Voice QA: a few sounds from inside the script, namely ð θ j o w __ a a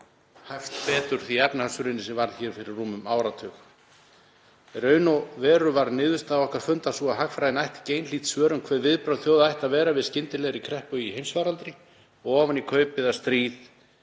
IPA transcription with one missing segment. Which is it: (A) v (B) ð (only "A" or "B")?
B